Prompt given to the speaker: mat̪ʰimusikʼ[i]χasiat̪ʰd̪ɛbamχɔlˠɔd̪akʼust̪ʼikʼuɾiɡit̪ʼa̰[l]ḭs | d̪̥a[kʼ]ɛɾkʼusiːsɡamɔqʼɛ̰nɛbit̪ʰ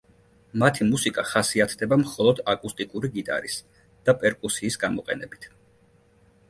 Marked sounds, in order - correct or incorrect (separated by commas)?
incorrect, incorrect, incorrect